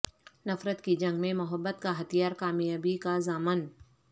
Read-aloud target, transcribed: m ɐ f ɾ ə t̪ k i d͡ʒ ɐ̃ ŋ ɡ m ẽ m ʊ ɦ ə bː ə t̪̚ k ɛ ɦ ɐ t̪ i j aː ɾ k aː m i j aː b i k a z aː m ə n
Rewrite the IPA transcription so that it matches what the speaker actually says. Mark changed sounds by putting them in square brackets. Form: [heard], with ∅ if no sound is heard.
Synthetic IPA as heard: [n] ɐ f ɾ ə t̪ k i d͡ʒ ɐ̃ ŋ ɡ m ẽ m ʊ ɦ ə bː ə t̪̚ k [a] ɦ ɐ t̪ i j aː ɾ k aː m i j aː b i k a z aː m ə n